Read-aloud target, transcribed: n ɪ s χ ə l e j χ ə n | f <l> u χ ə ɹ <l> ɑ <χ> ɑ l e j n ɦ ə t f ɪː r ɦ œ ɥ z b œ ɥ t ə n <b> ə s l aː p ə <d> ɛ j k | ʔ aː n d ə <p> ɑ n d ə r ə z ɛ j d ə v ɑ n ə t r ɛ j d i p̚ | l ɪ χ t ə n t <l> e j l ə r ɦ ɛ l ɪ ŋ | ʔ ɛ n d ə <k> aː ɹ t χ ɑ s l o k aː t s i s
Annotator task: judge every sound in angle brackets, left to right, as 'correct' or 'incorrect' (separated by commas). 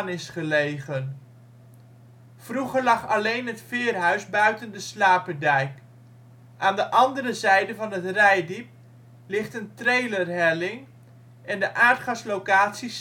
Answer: incorrect, correct, correct, incorrect, correct, incorrect, incorrect, incorrect